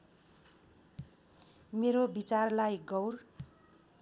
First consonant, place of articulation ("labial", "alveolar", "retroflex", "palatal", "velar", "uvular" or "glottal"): labial